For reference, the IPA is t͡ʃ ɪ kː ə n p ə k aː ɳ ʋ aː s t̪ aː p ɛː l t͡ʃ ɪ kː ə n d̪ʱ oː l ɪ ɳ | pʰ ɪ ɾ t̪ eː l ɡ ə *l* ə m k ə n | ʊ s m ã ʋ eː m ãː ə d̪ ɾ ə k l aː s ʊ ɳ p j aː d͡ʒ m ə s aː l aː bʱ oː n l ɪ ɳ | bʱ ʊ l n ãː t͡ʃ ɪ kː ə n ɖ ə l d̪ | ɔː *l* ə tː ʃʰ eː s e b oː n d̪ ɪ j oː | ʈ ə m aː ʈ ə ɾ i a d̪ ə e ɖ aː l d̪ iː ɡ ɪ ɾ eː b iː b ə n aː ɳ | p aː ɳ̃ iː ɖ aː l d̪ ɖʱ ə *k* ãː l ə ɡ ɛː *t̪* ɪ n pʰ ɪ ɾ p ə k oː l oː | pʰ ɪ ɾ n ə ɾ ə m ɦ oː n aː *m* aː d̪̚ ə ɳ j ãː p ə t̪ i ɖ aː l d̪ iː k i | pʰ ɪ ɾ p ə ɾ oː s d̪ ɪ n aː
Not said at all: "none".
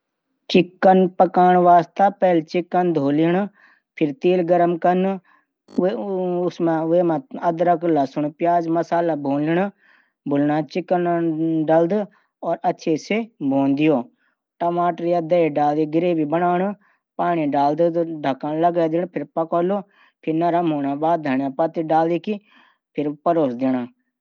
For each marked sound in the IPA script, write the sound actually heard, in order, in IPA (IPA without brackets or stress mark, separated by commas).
ɾ, ɾ, k, d̪, b